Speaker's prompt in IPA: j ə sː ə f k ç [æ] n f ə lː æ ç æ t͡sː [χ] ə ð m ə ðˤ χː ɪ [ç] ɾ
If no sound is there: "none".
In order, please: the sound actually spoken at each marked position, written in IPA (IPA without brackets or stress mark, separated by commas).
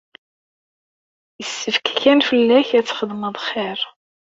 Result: æ, χ, none